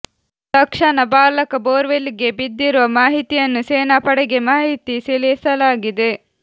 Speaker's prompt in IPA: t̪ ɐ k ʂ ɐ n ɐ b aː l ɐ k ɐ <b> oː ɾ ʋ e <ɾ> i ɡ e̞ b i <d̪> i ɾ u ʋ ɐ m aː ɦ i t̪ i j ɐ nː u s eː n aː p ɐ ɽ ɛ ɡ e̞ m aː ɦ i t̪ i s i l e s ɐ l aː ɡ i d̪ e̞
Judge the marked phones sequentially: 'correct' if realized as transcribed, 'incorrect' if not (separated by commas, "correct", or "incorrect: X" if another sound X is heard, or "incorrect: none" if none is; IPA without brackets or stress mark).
correct, incorrect: l, incorrect: d̪ː